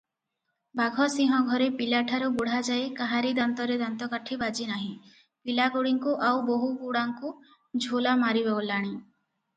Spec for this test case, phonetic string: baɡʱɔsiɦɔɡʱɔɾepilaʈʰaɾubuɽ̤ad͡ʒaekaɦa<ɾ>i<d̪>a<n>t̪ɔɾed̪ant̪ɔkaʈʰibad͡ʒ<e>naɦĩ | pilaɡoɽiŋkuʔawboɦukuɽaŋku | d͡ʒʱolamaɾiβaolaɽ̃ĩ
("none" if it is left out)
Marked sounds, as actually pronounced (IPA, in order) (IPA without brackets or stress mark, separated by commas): ɾ, d̪, n, i